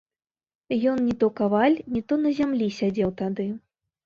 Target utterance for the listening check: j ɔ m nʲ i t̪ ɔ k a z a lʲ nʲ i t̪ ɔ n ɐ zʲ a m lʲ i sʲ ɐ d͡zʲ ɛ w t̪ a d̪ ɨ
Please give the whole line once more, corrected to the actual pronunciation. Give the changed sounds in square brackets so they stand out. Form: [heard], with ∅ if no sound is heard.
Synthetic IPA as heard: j ɔ [n] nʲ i t̪ ɔ k a [v] a lʲ nʲ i t̪ ɔ n ɐ zʲ a m lʲ i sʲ [a] d͡zʲ ɛ w t̪ a d̪ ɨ